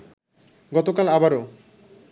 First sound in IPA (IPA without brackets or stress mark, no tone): ɡ